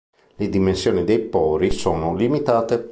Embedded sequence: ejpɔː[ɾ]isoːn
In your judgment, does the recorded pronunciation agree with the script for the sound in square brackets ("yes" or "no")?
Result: yes